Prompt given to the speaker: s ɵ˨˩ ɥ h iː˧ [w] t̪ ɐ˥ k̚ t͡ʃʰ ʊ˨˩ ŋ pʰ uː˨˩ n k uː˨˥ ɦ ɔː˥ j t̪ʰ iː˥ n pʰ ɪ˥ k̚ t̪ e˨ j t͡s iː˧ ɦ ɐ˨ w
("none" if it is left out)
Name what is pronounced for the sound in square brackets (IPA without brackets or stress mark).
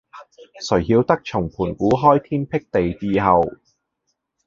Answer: w